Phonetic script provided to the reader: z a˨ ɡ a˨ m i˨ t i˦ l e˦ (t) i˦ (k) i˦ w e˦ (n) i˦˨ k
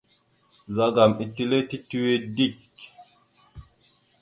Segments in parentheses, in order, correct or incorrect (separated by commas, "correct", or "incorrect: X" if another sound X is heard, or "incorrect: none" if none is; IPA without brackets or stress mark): correct, incorrect: t, incorrect: d